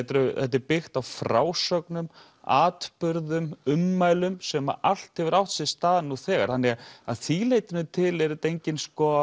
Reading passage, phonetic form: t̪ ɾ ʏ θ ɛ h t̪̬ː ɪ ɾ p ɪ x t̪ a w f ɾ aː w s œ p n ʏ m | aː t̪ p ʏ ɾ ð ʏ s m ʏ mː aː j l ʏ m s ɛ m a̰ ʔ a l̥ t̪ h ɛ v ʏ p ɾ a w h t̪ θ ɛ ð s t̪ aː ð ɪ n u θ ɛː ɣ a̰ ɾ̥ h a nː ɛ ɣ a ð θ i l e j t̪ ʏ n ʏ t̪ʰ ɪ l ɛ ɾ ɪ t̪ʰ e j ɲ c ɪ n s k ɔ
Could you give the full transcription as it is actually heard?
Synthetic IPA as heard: t̪ ɾ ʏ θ ɛ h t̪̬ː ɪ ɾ p ɪ x t̪ a w f ɾ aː w s œ k n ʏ m | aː t̪ p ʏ ɾ ð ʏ m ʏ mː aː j l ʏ m s ɛ m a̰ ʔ a l̥ t̪ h ɛ v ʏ ɾ a w h t̪ s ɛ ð s t̪ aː ð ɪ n u θ ɛː ɣ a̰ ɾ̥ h a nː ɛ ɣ a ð θ i l e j t̪ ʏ n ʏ t̪ʰ ɪ l ɛ ɾ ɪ t̪ e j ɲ c ɪ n s k ɔ